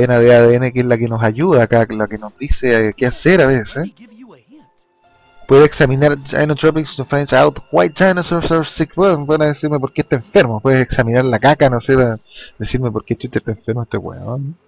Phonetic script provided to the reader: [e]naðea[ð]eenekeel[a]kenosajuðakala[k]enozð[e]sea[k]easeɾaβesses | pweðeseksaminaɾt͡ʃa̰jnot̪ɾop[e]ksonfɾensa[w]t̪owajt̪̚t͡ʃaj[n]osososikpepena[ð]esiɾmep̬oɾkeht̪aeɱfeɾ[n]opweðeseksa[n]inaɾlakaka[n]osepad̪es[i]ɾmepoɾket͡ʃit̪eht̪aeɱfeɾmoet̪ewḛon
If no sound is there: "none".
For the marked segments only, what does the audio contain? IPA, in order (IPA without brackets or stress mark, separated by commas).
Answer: e, ð, a, k, i, k, i, w, n, ð, m, m, n, i